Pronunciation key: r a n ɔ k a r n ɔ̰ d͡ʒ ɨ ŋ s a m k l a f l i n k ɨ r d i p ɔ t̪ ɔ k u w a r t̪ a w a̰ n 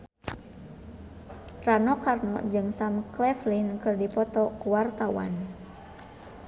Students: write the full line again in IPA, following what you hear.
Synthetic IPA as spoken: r a n ɔ k a r n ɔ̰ d͡ʒ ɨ ŋ s a m k l ɛ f l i n k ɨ r d i p ɔ t̪ ɔ k u w a r t̪ a w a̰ n